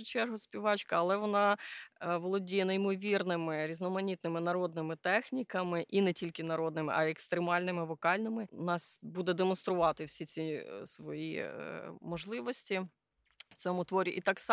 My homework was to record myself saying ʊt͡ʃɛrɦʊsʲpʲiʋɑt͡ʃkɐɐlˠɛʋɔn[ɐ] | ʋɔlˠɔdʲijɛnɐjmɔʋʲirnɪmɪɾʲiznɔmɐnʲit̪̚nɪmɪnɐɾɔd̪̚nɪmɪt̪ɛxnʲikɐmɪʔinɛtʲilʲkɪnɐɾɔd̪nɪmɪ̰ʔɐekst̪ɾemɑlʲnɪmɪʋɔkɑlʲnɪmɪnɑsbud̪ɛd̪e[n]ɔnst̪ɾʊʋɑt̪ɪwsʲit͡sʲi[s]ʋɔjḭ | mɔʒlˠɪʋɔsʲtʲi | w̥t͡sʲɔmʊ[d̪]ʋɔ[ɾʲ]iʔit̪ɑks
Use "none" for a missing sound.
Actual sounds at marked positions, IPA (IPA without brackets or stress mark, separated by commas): ɑ, m, s, t̪, ɾʲ